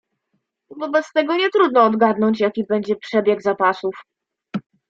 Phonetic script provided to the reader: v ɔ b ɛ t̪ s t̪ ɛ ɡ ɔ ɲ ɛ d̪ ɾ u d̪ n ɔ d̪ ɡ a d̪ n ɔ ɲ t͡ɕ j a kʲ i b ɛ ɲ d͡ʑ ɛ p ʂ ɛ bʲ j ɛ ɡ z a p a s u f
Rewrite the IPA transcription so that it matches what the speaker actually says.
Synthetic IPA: v ɔ b ɛ t̪ s t̪ ɛ ɡ ɔ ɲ ɛ t̪ ɾ u d̪ n ɔː d̪ ɡ a d̪ n ɔ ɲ t͡ɕ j a kʲ i b ɛ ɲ d͡ʑ ɛ p ʂ ɛ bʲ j ɛ ɡ z a p a s u f